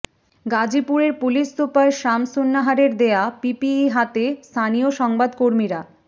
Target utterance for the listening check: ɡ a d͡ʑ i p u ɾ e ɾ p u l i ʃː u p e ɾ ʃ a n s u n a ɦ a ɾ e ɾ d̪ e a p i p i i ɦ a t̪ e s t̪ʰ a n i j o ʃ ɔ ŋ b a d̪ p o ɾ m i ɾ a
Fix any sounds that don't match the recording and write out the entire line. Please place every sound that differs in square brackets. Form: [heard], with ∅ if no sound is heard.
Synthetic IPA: ɡ a d͡ʑ i p u ɾ e ɾ p u l i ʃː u p [a] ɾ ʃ a [m] s u [nː] a ɦ a ɾ e ɾ d̪ e a p i p i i ɦ a t̪ e s t̪ʰ a n i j o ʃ ɔ ŋ b a d̪ [k] o ɾ m i ɾ a